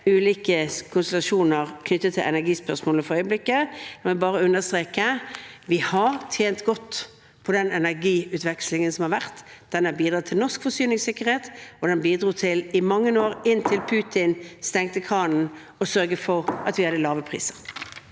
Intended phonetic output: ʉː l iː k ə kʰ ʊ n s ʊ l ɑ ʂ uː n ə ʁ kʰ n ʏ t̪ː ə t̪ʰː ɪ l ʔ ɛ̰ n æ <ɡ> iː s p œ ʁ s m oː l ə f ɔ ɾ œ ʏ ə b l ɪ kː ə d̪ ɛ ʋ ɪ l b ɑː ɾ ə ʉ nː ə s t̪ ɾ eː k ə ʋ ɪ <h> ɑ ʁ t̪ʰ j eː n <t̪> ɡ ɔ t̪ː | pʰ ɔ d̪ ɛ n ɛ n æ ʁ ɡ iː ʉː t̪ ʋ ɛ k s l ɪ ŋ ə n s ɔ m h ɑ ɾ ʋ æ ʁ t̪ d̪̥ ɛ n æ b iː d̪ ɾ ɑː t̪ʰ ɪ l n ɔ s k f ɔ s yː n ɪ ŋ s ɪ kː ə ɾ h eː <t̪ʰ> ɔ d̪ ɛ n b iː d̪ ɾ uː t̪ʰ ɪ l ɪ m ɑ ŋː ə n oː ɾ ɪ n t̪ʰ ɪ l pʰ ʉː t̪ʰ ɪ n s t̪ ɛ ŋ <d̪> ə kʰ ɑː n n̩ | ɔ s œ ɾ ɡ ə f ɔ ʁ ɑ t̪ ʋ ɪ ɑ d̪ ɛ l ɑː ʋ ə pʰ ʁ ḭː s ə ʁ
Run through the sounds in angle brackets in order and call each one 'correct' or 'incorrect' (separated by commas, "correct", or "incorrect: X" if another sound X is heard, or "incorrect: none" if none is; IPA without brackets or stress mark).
correct, correct, correct, incorrect: t̪, incorrect: t̪